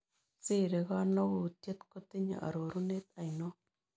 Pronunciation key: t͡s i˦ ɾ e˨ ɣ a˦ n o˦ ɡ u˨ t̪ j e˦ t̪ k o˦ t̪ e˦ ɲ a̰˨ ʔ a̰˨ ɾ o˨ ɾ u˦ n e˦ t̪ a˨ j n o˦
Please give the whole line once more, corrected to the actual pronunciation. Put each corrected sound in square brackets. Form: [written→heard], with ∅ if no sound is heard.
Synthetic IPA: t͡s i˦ ɾ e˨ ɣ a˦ n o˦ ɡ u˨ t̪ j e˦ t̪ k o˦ t̪ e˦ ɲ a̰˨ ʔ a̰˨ ɾ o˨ ɾ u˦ n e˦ t̪ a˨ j n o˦